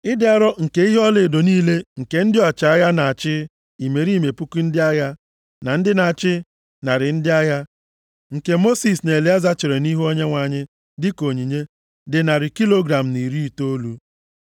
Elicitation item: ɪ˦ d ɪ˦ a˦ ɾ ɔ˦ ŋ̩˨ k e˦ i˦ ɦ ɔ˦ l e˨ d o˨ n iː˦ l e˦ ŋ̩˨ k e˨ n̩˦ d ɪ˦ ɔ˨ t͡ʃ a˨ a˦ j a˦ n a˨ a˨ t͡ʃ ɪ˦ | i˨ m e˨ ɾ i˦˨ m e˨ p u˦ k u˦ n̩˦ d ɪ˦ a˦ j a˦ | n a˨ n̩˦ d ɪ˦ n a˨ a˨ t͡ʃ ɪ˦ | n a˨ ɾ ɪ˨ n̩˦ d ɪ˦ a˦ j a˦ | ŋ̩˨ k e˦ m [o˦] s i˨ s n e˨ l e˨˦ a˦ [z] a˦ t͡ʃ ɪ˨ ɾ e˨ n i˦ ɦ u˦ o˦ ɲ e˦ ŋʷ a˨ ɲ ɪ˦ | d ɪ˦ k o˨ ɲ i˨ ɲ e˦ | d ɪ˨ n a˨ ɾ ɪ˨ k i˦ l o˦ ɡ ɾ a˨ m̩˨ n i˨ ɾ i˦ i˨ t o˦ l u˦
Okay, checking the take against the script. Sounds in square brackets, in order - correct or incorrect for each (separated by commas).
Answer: correct, correct